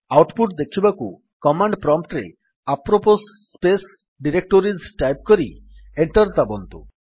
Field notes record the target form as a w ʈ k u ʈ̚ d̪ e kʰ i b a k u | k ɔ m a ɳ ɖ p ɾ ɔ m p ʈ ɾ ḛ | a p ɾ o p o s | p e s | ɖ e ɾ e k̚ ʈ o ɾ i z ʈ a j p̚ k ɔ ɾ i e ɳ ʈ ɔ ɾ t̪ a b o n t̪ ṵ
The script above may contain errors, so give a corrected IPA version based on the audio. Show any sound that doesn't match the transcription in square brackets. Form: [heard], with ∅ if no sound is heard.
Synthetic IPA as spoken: a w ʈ [p] u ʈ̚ d̪ e kʰ i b a k u | k ɔ m a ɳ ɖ p ɾ ɔ m p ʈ ɾ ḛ | a p ɾ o p o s | p e s | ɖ [i] ɾ e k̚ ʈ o ɾ i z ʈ a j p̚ k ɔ ɾ i e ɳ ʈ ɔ ɾ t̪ a b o n t̪ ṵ